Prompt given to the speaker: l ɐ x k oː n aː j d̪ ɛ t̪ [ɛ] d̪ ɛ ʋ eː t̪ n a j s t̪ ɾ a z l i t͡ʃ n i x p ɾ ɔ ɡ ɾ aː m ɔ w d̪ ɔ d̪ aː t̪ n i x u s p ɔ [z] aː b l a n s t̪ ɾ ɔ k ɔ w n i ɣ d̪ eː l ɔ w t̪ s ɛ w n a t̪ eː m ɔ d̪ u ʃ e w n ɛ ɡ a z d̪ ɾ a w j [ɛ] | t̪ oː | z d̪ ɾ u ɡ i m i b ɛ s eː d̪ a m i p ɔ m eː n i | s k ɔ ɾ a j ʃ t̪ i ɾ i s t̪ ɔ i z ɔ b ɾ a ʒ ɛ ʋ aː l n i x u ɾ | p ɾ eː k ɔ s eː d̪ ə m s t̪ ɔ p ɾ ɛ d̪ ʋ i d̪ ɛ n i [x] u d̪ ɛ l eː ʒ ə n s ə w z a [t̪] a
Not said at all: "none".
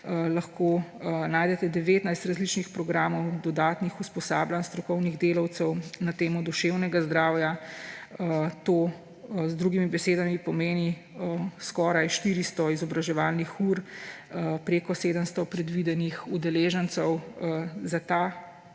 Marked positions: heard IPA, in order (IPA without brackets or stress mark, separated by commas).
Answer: ɛ, s, a, x, t̪